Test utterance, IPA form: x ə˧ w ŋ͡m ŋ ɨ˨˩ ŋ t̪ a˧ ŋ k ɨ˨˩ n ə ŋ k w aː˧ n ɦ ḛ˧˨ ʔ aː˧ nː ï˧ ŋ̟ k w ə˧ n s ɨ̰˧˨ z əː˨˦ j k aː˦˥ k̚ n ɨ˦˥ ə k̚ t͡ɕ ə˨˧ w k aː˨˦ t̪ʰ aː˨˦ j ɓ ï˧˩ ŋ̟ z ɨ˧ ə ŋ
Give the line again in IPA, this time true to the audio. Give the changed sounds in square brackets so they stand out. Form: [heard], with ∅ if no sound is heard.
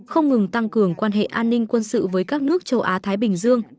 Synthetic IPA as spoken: x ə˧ w ŋ͡m ŋ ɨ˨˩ ŋ t̪ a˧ ŋ k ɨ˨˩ [∅] ə ŋ k w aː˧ n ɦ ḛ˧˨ ʔ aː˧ nː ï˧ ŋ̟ k w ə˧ n s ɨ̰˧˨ [v] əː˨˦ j k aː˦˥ k̚ n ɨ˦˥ ə k̚ t͡ɕ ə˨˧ w [ʔ] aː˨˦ t̪ʰ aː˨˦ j ɓ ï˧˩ ŋ̟ z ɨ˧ ə ŋ